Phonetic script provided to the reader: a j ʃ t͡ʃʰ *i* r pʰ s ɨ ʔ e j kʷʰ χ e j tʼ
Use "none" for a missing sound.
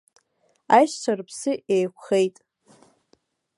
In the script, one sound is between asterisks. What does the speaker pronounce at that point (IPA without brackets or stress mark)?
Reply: a